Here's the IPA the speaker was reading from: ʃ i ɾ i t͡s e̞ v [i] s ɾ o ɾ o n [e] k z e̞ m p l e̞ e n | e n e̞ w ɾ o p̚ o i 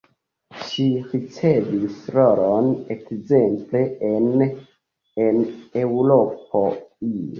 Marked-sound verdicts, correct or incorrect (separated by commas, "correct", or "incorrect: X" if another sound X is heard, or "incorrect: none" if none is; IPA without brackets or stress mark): correct, correct